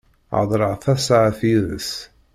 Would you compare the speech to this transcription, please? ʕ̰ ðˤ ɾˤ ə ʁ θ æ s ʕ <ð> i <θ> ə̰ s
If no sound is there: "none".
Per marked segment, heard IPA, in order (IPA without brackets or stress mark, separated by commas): θ, ð